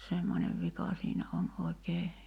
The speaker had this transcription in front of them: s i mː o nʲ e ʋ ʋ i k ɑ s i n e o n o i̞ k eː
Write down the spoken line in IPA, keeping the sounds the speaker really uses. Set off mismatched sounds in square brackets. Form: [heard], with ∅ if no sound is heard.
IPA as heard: s [e] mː o nʲ e ʋ ʋ i k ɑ s [iː] n [æ] o n o i̞ k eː